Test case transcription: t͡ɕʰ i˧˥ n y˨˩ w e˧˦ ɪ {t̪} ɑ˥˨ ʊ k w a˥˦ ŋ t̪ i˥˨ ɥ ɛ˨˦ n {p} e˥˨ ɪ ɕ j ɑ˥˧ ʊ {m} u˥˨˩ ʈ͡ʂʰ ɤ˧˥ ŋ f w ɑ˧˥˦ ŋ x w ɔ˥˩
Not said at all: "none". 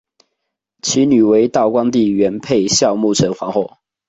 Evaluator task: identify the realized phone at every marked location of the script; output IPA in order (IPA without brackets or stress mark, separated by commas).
t̪, pʰ, m